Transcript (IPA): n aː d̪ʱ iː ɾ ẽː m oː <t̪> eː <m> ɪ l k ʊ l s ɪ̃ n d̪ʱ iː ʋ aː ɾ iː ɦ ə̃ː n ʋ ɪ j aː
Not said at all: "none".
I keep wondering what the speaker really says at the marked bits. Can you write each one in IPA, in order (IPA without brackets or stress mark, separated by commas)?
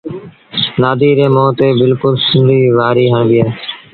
t̪, b